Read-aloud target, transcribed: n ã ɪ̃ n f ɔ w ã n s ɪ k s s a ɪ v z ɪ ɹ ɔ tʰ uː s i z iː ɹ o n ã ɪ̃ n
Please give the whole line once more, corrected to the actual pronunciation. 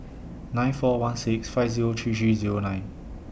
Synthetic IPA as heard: n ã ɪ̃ n f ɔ w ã n s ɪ k s f a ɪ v z i ɹ o tʰ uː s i z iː ɹ o n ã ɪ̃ n